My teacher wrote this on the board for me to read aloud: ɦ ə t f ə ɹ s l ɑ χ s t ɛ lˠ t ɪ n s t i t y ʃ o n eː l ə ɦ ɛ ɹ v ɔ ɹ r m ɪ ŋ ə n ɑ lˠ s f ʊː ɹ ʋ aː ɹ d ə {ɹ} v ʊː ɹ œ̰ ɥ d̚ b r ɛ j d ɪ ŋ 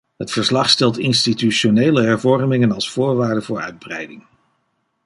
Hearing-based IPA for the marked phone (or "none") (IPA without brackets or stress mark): none